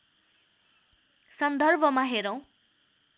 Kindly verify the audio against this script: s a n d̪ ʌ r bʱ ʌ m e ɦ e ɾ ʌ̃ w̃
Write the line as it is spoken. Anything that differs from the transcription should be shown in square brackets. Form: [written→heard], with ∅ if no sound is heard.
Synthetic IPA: s [a→ʌ] n d̪ ʌ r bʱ ʌ m [e→a] ɦ e ɾ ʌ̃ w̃